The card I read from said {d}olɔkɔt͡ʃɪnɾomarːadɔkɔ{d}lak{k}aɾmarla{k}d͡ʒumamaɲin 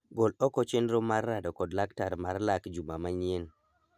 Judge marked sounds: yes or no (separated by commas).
no, yes, no, yes